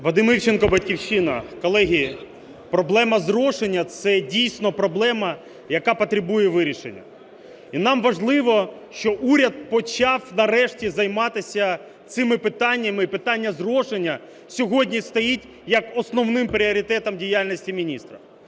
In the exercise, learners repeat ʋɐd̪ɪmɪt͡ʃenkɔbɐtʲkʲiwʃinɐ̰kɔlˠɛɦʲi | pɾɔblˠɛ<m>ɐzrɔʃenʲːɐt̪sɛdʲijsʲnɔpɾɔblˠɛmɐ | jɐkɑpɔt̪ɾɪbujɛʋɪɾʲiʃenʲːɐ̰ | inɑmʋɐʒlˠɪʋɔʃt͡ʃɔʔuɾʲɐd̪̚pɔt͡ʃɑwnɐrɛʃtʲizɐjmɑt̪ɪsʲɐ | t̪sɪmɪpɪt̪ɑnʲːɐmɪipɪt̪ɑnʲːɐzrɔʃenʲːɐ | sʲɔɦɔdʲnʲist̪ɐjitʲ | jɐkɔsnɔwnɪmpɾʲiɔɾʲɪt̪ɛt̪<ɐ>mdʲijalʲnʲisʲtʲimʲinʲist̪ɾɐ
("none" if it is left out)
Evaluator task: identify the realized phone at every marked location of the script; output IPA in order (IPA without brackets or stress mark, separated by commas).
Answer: m, ɐ